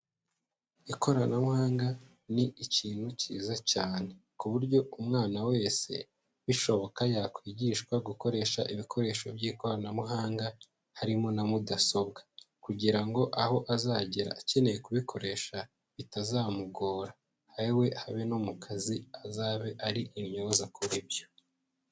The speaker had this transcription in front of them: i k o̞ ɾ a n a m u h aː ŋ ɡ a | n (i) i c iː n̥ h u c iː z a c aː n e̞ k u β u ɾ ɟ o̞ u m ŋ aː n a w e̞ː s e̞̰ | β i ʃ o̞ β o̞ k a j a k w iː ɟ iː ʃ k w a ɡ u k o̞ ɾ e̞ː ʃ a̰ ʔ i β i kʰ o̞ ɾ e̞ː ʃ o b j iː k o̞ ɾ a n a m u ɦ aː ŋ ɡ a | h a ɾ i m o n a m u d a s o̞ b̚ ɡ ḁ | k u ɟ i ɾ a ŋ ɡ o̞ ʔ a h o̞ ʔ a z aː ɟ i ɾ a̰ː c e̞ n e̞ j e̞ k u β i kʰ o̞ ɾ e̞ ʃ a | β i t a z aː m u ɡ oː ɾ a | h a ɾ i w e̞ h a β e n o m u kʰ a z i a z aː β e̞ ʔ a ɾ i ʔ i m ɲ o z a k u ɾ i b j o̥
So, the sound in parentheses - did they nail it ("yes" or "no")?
yes